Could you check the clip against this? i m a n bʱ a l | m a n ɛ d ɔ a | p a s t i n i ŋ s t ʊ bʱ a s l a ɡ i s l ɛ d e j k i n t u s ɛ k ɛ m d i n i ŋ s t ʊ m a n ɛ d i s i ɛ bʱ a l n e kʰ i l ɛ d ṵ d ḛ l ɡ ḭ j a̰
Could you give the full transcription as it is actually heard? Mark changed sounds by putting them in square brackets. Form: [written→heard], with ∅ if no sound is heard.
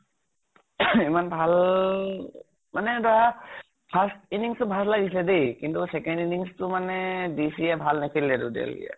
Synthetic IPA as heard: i m a n bʱ a l | m a n ɛ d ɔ a | [p→pʰ] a s t i n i ŋ s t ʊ bʱ a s l a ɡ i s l ɛ d e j k i n t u s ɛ k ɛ [m→n] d i n i ŋ s t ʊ m a n ɛ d i s i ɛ bʱ a l n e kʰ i l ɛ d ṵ d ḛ l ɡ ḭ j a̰